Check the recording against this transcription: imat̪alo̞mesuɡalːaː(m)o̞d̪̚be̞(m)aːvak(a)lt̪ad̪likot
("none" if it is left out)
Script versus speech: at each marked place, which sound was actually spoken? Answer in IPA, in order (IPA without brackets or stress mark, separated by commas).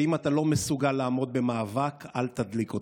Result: m, m, a